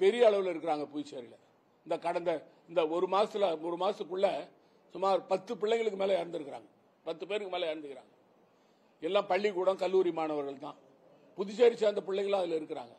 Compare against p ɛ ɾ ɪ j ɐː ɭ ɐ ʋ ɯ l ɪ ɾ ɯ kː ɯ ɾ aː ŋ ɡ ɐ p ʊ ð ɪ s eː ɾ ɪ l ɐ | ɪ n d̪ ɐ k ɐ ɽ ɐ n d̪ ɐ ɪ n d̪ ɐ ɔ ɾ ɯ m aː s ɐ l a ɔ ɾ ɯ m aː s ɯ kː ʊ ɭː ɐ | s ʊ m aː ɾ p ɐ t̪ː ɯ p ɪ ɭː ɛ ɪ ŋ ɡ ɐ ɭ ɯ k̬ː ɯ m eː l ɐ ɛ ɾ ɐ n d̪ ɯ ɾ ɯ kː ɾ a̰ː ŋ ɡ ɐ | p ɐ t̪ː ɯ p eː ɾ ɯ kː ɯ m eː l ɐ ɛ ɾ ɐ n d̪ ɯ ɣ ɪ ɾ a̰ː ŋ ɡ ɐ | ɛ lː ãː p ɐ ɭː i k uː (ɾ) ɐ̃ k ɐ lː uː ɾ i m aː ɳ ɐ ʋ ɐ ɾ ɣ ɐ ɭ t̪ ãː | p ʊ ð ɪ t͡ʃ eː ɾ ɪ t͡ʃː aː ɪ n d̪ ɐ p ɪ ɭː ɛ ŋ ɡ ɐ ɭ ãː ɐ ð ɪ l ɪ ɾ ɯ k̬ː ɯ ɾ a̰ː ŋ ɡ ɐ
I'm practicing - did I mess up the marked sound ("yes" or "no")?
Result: yes